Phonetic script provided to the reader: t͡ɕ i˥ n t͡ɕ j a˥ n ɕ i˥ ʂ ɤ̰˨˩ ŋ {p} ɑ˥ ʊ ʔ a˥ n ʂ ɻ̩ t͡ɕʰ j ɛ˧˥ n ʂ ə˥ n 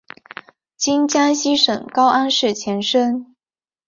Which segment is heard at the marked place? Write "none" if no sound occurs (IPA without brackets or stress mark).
k